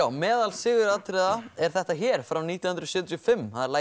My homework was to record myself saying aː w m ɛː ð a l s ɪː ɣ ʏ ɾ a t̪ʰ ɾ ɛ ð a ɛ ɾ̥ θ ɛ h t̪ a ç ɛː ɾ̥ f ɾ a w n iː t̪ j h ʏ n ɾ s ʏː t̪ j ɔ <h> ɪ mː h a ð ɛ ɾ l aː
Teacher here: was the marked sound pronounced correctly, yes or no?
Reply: no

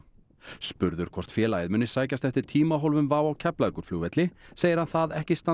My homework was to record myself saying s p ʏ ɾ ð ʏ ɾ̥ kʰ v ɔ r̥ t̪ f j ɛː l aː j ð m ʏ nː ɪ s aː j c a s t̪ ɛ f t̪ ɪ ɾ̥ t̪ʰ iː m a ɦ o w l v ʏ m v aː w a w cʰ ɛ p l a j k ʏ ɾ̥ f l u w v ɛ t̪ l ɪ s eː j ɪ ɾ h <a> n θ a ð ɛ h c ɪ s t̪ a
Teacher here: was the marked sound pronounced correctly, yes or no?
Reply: yes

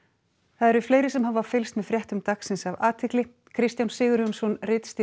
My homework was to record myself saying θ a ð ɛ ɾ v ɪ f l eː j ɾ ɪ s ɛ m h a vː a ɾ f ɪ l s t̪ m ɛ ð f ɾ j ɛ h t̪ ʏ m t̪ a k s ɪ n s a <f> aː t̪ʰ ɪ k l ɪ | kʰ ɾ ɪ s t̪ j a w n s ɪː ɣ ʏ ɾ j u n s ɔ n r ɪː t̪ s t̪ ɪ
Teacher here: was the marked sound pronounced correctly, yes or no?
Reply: no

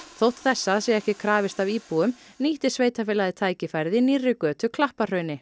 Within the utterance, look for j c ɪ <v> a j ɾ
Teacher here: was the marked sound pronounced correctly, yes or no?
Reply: no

